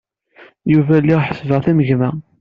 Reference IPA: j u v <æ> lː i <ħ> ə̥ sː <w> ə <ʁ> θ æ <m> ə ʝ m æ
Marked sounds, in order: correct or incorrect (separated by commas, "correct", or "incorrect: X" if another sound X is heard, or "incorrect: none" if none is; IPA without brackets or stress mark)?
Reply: correct, correct, incorrect: v, correct, correct